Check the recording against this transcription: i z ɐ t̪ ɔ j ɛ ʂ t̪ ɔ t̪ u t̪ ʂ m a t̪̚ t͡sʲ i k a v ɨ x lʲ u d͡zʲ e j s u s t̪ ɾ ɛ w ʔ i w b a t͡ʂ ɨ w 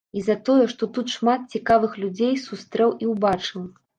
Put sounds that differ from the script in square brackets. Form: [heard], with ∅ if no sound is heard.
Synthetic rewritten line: i z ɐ t̪ ɔ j ɛ ʂ t̪ ɔ t̪ u t̪ ʂ m a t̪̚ t͡sʲ i k a v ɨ x lʲ u d͡zʲ e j s u s t̪ ɾ ɛ w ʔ i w b a t͡ʂ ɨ w